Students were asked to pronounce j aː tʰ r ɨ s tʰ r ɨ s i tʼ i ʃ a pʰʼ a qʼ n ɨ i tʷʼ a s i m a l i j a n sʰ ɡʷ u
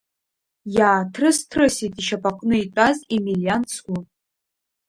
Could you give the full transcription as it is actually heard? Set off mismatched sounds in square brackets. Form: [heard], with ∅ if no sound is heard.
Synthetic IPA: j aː tʰ r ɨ s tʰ r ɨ s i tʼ i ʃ a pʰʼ a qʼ n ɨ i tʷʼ a [z] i m [i] l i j a n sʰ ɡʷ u